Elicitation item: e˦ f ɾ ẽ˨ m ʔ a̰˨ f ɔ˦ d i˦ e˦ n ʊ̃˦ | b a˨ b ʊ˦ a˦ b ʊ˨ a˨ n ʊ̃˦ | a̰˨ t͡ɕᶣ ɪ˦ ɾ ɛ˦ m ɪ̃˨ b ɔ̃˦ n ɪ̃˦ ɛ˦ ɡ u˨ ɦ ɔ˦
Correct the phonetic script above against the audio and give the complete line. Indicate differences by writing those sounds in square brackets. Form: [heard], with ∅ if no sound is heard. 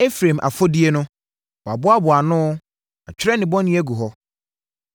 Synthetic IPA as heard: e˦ f ɾ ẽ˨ m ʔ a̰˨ f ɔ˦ d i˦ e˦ n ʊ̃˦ | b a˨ b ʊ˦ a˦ b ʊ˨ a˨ n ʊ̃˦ | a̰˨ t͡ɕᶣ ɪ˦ ɾ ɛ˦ [n] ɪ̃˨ b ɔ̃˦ n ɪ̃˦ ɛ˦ ɡ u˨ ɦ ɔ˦